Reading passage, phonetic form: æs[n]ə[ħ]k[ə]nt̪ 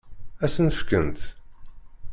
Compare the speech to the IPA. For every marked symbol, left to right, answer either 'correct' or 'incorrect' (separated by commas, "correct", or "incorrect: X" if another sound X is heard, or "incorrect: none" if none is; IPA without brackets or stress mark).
correct, incorrect: f, correct